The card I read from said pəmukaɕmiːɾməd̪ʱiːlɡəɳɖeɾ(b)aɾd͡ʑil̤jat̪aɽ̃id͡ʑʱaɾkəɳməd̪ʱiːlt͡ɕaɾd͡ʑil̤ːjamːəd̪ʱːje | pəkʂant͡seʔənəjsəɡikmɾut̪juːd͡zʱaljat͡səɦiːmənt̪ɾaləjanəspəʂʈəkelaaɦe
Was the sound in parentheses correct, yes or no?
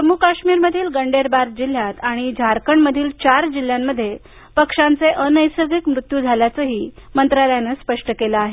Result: yes